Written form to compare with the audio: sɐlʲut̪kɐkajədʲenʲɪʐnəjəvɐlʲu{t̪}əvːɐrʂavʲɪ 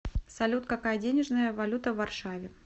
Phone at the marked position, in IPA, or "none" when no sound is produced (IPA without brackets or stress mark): t̪